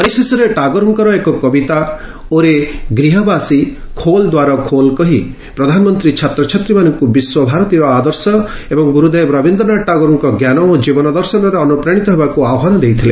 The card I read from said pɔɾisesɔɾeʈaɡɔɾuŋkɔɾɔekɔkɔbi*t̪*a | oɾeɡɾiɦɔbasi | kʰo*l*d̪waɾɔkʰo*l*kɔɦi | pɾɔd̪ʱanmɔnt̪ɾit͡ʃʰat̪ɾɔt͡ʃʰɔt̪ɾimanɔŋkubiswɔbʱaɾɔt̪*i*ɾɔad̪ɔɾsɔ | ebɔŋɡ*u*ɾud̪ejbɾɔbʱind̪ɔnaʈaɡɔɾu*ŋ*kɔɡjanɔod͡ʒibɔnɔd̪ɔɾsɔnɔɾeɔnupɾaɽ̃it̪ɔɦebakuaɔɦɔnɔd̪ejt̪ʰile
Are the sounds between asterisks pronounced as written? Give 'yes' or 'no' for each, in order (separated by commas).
yes, yes, yes, yes, yes, yes